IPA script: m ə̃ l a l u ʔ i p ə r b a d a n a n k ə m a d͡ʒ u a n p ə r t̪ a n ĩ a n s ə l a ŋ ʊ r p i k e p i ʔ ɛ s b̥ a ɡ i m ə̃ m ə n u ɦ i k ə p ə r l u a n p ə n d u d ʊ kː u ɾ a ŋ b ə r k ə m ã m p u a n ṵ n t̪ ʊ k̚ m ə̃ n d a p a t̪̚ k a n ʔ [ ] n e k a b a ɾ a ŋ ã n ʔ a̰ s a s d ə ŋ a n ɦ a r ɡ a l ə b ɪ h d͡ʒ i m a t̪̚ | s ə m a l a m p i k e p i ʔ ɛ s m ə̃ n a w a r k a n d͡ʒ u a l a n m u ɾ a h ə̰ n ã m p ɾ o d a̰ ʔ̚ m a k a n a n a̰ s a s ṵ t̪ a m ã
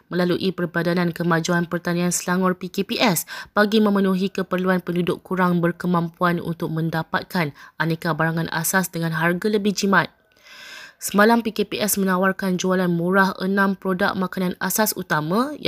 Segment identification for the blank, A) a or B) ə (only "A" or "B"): A